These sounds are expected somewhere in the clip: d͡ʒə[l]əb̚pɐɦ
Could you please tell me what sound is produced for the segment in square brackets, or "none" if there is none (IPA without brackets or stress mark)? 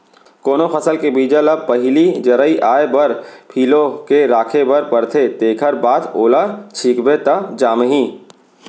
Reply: l